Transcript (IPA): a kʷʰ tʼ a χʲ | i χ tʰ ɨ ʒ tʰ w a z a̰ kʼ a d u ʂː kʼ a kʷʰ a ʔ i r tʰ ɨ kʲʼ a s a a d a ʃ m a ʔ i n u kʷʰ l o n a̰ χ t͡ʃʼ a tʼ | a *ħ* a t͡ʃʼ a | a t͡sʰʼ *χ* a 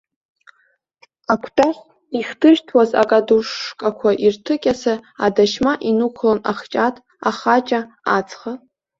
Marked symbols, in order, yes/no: no, yes

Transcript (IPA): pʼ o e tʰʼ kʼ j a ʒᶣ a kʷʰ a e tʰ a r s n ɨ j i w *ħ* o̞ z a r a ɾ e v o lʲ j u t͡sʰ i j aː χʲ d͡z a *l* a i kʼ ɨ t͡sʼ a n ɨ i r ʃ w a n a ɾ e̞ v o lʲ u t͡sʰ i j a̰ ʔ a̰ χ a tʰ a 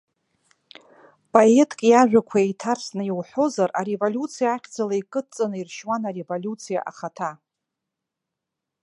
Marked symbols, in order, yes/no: yes, yes

